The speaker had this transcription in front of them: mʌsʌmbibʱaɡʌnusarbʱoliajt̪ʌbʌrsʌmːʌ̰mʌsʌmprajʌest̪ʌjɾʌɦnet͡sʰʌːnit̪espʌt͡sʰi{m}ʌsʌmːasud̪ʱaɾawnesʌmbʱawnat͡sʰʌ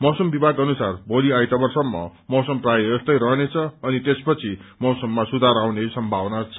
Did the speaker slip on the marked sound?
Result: no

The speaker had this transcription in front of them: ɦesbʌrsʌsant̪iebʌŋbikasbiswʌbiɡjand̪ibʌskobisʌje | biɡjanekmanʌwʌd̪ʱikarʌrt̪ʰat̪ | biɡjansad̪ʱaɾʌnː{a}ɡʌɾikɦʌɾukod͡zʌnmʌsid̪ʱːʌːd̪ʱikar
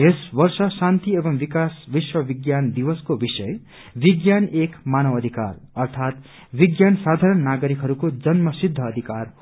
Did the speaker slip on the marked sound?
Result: no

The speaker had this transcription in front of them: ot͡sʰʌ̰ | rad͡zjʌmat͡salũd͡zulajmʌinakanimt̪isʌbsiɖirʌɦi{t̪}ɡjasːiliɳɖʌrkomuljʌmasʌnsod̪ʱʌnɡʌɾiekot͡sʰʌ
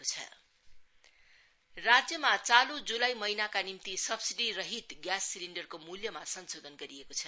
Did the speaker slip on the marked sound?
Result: no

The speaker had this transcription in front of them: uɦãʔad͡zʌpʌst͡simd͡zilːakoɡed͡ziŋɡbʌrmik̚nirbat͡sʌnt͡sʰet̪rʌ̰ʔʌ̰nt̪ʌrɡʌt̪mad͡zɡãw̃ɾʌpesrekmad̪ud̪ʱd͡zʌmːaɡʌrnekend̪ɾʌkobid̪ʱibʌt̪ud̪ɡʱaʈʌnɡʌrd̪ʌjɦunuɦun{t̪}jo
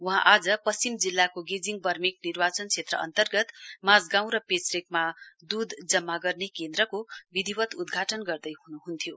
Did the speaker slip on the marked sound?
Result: yes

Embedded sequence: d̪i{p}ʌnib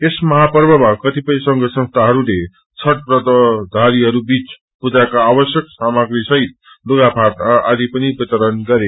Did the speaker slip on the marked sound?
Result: no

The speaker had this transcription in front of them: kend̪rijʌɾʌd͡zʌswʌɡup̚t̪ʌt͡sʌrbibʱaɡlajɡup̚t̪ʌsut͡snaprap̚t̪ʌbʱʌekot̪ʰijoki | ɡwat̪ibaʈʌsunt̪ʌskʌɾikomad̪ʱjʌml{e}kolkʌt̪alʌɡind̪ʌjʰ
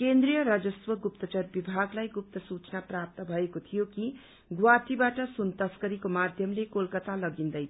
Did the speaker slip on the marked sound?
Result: no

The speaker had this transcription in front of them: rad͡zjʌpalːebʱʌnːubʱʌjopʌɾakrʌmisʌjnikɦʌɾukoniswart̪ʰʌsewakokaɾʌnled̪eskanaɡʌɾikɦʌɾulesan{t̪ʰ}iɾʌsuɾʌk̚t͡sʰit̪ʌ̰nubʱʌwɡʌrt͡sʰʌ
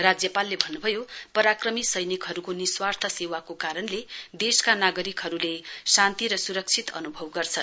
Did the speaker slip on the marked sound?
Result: yes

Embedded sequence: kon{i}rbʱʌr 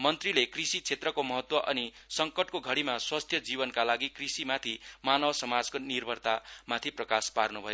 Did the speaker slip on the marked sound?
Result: no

